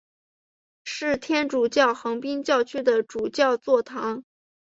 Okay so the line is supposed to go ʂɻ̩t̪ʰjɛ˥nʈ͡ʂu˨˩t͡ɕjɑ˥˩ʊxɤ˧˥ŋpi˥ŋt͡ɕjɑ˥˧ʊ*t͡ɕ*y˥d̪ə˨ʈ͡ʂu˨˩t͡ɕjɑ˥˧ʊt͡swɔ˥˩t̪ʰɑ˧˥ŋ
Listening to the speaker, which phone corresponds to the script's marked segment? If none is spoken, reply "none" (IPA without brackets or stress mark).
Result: t͡ɕʰ